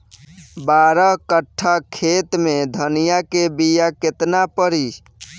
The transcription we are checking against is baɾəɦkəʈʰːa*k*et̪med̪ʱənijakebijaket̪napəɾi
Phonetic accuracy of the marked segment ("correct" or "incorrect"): incorrect